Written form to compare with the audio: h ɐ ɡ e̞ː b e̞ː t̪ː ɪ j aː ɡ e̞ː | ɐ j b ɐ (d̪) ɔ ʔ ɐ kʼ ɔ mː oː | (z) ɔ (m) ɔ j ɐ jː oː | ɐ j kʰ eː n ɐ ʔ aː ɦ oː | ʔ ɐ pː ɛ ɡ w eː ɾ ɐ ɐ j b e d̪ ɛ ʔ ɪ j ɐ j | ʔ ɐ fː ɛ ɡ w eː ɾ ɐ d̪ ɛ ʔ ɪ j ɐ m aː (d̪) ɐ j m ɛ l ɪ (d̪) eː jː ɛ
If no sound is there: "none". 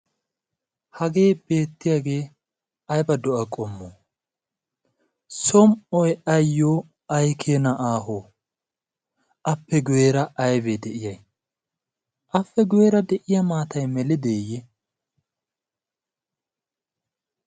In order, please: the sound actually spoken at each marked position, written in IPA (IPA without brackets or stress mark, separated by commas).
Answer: d̪, s, m, t̪, d̪